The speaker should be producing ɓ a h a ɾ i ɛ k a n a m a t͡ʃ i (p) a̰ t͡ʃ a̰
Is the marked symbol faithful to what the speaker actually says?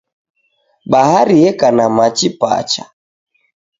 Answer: yes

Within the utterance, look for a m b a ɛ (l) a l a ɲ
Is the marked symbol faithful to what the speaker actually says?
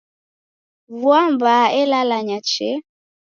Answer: yes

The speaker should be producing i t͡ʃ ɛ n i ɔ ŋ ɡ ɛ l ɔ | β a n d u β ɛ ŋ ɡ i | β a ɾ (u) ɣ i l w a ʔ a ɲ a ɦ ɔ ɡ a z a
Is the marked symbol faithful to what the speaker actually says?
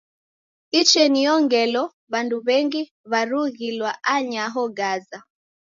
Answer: yes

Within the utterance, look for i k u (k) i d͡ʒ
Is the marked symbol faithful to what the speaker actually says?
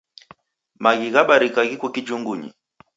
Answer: yes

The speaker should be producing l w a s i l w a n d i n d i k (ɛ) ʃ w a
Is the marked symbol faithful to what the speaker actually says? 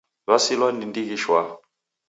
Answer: no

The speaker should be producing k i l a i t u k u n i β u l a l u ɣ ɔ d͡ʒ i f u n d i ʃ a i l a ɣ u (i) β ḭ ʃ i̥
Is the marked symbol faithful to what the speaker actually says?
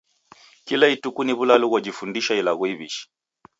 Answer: yes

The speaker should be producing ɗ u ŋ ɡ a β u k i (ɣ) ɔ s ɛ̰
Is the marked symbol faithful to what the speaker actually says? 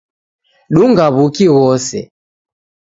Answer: yes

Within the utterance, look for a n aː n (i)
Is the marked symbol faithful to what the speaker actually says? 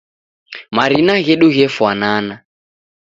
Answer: no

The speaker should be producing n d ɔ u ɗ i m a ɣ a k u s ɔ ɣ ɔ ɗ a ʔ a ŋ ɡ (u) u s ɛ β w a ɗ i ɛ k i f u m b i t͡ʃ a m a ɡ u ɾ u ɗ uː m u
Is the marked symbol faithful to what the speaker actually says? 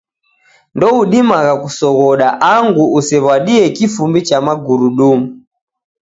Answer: yes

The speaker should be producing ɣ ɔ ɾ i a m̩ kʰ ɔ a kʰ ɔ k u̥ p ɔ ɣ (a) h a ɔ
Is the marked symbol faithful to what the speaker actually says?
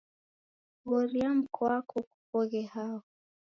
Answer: no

